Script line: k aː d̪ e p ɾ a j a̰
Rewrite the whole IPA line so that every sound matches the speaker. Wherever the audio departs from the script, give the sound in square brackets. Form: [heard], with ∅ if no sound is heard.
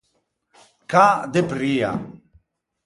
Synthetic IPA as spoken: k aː d̪ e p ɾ [i] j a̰